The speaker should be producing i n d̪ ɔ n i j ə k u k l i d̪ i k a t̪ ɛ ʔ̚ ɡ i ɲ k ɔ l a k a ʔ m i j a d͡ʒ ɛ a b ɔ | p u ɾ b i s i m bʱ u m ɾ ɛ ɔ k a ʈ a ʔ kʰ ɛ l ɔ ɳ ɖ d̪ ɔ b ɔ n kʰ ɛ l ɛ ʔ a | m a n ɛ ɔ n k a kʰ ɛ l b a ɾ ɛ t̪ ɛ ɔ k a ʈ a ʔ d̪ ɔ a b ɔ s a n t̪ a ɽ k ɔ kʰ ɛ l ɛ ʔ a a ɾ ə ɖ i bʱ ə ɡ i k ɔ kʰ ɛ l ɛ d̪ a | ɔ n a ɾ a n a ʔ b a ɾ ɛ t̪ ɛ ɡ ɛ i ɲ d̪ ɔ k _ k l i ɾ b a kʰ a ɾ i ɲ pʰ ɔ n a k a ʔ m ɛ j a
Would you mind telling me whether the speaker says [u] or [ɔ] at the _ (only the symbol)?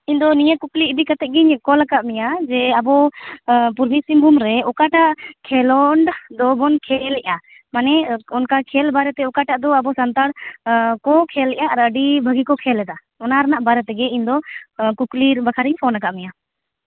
u